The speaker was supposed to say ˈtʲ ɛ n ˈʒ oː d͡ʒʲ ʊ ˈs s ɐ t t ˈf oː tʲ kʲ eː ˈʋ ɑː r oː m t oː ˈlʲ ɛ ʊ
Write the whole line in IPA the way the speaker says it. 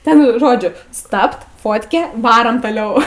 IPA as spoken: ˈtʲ ɛ n ˈʒ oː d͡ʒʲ ʊ ˈs t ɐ p t ˈf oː tʲ kʲ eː ˈʋ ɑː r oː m t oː ˈlʲ ɛ ʊ